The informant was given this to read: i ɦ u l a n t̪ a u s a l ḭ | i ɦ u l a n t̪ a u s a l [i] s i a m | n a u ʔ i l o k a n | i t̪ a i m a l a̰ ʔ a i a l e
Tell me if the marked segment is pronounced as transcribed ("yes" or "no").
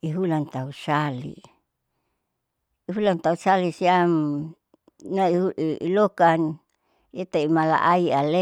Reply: yes